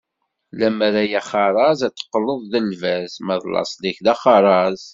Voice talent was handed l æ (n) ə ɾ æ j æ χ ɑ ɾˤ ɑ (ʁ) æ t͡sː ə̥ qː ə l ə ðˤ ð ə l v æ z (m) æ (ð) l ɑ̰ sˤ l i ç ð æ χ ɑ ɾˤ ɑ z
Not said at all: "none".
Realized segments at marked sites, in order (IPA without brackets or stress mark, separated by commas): m, z, m, ð